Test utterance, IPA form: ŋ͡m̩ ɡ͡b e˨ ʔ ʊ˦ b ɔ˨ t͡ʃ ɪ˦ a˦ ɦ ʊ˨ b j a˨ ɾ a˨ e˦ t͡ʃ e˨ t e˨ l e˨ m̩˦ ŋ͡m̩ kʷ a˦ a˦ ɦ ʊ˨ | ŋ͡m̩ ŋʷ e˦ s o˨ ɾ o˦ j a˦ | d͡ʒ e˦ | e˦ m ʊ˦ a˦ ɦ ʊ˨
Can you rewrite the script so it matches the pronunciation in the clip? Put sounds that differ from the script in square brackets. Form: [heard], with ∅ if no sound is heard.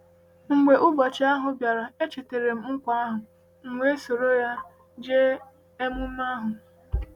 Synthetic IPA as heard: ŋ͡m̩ ɡ͡b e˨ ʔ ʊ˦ b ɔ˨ t͡ʃ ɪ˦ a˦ ɦ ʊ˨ b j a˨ ɾ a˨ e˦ t͡ʃ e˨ t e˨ [ɾ] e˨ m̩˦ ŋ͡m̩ kʷ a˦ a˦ ɦ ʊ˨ | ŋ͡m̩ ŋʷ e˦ s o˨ ɾ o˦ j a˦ | d͡ʒ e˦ | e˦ m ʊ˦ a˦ ɦ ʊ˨